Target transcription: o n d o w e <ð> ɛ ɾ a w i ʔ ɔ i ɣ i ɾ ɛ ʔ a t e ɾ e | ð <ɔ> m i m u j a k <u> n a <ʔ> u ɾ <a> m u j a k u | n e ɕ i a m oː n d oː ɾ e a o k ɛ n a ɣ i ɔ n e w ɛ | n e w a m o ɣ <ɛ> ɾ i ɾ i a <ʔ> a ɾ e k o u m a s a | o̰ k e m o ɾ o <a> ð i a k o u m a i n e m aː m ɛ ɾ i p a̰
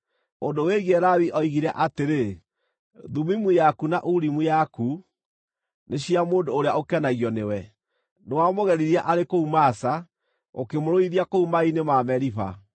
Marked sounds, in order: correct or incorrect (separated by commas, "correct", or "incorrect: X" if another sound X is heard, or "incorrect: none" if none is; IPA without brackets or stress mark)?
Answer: incorrect: ɣ, incorrect: u, correct, correct, incorrect: i, correct, correct, incorrect: i